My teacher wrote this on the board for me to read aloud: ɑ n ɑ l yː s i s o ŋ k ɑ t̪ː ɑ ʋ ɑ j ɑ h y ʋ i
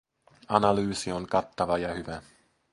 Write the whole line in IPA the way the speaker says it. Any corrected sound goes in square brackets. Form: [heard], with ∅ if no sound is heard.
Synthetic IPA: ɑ n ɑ l yː s i [∅] o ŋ k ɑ t̪ː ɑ ʋ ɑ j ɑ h y ʋ [æ]